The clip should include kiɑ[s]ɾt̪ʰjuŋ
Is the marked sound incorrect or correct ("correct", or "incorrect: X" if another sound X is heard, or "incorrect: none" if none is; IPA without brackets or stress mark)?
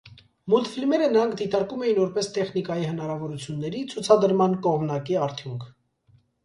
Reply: incorrect: none